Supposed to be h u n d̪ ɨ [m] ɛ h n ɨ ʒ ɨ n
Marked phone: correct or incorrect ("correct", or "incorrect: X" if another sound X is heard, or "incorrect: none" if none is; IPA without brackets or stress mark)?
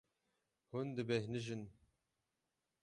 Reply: incorrect: b